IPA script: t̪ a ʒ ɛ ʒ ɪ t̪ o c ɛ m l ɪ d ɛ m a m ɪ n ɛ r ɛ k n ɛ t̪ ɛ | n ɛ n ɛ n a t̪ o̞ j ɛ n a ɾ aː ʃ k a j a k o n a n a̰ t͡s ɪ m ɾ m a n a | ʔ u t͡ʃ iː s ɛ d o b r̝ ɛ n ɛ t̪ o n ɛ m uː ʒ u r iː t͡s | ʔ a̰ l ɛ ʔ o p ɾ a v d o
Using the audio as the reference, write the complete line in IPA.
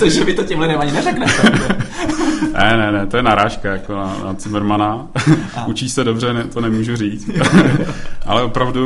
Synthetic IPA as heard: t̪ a ʒ ɛ v ɪ t̪ o c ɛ m l ɪ d ɛ m a ɲ ɪ n ɛ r ɛ k n ɛ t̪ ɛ | n ɛ n ɛ n ɛ t̪ o̞ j ɛ n a ɾ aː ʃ k a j a k o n a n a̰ t͡s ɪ m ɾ m a n a | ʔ u t͡ʃ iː s ɛ d o b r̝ ɛ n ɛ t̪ o n ɛ m uː ʒ u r iː t͡s | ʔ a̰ l ɛ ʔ o p ɾ a v d u